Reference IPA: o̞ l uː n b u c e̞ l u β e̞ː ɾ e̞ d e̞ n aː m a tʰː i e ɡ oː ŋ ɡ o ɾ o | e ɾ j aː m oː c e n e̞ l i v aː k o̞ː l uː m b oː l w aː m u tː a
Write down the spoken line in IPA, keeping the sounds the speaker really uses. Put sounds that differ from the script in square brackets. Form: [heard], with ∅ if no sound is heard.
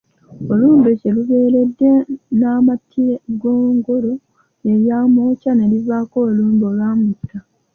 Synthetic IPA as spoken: o̞ l uː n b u c e̞ l u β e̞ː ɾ e̞ [dː] e̞ n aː m a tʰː i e ɡ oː ŋ ɡ o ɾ o | e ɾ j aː m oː c [a] n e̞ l i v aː k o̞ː l uː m b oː l w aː m u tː a